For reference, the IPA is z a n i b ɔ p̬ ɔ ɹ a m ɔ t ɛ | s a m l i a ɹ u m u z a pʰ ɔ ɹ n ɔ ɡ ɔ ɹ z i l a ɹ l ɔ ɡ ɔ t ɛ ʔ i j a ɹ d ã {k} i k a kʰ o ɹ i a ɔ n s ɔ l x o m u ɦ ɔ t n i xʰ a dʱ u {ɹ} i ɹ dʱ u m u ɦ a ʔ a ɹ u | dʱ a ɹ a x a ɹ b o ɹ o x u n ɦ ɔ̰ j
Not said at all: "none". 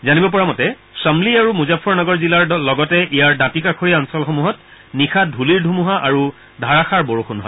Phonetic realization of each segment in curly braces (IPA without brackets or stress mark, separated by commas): t, l